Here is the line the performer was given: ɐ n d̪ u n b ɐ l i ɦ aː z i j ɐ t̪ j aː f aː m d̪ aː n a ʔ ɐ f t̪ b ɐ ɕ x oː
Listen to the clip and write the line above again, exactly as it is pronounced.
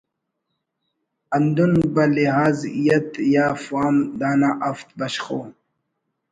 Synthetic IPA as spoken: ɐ n d̪ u n b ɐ l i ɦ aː z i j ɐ t̪ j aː f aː m d̪ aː n a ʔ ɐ f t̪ b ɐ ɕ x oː

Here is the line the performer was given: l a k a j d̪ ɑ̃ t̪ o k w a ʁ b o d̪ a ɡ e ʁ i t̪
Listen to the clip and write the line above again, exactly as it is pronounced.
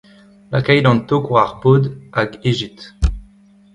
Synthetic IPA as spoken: l a k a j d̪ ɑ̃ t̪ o k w a ʁ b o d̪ a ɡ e ʒ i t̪

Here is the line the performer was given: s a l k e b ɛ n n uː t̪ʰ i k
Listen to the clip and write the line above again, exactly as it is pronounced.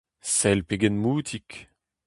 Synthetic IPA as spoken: s ɛ l p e ɡ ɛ n m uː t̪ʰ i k

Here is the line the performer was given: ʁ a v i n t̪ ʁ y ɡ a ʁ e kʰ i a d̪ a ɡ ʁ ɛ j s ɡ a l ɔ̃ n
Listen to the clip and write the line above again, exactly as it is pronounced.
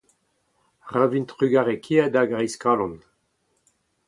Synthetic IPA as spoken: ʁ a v i n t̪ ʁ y ɡ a ʁ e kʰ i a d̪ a ɡ ʁ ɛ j s k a l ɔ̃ n

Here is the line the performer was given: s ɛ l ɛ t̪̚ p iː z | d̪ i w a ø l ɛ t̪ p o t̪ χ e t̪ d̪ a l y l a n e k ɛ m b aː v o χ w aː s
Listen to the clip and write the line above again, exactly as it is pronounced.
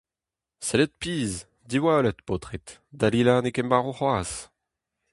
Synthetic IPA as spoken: s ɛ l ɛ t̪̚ p iː z | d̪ i w a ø l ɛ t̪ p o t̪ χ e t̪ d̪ a l i l a n e k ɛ m b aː ʁ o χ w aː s

